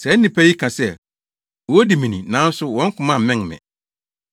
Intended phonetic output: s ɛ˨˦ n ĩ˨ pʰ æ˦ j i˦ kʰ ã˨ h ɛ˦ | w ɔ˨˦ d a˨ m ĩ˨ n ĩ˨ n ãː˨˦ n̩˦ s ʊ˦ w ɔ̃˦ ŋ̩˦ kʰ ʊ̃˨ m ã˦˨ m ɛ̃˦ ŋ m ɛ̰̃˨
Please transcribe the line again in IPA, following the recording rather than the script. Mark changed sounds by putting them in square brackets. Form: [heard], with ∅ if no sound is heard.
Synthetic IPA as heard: s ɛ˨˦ n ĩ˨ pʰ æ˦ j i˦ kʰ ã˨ [s] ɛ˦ | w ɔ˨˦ d [i˨] m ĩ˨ n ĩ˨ n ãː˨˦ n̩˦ s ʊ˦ w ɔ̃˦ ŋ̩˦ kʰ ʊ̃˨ m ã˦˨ m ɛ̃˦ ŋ m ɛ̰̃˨